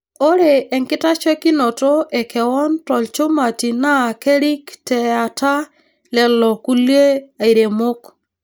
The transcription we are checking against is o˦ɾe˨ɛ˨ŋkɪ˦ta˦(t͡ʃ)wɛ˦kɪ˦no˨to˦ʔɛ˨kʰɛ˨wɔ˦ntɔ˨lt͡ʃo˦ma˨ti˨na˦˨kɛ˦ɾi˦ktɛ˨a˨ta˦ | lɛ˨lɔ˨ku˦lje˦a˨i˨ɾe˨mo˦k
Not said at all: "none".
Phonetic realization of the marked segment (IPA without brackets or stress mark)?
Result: t͡ʃ